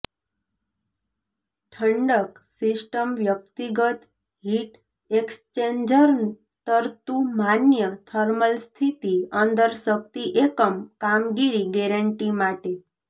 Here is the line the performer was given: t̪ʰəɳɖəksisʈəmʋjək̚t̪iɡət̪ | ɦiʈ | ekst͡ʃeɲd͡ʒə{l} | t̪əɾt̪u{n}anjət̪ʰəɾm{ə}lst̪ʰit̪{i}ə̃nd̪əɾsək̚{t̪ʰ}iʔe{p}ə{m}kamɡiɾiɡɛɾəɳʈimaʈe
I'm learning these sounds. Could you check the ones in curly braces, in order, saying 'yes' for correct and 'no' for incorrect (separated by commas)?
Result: no, no, yes, yes, no, no, yes